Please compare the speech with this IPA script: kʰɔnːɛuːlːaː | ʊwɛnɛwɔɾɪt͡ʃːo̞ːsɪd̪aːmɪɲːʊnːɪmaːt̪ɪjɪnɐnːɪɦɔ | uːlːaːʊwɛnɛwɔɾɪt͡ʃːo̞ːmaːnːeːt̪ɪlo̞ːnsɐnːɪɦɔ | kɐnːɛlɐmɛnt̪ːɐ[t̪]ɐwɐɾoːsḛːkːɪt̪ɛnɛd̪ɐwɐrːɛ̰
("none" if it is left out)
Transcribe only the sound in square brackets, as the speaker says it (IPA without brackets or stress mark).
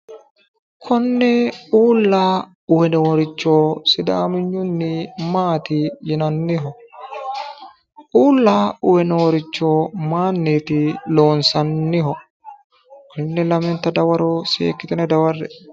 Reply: d̪